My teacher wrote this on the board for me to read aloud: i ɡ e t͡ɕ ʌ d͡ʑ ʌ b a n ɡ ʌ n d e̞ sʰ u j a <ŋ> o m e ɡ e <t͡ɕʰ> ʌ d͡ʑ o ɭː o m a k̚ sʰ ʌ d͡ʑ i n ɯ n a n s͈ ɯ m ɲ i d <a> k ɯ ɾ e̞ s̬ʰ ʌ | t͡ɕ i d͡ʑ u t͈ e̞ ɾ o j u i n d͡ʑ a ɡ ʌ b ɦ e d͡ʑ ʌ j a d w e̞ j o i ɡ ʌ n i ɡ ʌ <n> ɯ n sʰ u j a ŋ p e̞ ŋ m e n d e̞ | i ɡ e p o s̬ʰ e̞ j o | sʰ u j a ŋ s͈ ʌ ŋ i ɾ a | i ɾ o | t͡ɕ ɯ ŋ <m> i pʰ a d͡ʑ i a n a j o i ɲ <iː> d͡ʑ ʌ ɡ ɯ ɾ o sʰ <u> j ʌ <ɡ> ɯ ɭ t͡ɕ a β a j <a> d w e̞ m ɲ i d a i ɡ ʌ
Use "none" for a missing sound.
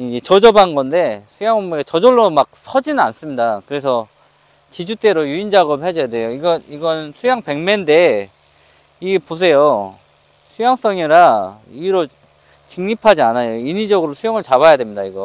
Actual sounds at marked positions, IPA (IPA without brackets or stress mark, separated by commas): ŋ, t͡ɕ, a, n, ɲ, i, u, ŋ, a